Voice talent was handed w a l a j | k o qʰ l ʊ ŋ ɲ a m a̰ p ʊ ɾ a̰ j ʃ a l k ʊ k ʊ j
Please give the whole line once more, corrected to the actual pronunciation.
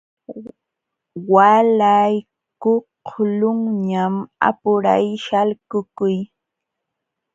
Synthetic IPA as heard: w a l a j | k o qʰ l ʊ ŋ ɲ a m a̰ p ʊ ɾ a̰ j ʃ a l k ʊ k ʊ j